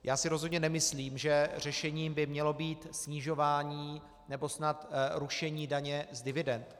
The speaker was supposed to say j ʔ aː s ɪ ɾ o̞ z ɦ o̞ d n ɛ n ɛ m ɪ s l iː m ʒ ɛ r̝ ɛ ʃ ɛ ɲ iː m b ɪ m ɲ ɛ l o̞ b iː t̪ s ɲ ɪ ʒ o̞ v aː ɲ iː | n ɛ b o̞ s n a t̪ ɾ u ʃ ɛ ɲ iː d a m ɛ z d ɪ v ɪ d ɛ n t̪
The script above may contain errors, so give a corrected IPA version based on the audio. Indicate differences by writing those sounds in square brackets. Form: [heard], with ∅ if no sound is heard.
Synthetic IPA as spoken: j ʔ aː s ɪ ɾ o̞ z ɦ o̞ d [ɲ] ɛ n ɛ m ɪ s l iː m ʒ ɛ r̝ ɛ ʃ ɛ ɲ iː m b ɪ m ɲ ɛ l o̞ b iː t̪ s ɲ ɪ ʒ o̞ v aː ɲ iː | n ɛ b o̞ s n a t̪ ɾ u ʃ ɛ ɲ iː d a [ɲ] ɛ z d ɪ v ɪ d ɛ n t̪